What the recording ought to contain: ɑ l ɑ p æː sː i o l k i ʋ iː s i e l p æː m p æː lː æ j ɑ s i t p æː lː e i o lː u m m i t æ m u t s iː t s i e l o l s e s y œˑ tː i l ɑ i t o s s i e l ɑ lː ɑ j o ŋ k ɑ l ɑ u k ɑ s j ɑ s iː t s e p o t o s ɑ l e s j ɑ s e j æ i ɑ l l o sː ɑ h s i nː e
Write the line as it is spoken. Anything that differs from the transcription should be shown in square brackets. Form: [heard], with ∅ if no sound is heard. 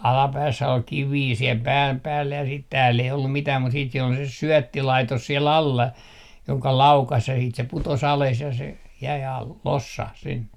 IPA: ɑ l ɑ p æː sː [æ] o l k i ʋ iː s i e l p æː m p æː lː æ j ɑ s i t [t] æː lː e i o lː u m m i t [æː] m u t s iː t s i e l o l s e s y œˑ tː i l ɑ i t o s s i e l ɑ lː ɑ j o ŋ k ɑ l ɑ u k ɑ s j ɑ s iː t s e p [u] t o s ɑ l e s j ɑ s e j æ i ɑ l l o sː ɑ h s i nː e